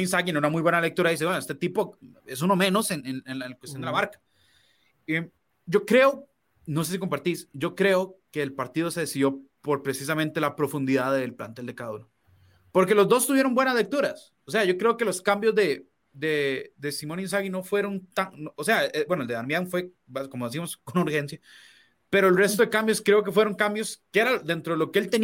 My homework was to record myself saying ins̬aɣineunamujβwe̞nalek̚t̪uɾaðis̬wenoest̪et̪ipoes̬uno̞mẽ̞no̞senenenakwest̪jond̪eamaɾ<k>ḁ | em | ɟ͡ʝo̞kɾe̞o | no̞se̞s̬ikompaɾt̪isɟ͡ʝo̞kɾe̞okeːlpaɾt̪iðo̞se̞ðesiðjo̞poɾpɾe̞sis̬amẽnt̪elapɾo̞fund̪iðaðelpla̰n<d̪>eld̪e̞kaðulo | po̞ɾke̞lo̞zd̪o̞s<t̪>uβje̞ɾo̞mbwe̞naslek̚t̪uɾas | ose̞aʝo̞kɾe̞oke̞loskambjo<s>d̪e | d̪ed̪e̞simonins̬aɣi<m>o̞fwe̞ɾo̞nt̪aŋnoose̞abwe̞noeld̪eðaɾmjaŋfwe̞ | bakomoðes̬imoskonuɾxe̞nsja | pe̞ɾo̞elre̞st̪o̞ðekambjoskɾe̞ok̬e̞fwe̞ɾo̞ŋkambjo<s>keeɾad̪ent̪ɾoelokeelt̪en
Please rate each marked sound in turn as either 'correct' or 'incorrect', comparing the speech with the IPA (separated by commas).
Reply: correct, incorrect, correct, incorrect, incorrect, correct